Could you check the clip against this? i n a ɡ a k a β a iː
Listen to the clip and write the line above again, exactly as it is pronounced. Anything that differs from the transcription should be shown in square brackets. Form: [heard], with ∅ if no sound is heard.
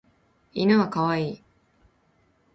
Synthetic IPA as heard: i n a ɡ a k a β a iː